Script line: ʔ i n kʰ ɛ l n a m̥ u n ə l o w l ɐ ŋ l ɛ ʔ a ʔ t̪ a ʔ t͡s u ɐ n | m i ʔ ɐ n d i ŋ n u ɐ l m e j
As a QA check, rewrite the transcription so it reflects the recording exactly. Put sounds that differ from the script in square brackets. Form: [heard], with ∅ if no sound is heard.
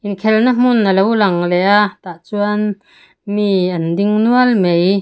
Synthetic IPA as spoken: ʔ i n kʰ ɛ l n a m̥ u n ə l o w l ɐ ŋ l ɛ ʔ a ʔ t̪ a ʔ t͡s u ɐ n | m i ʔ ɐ n d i ŋ n u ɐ l m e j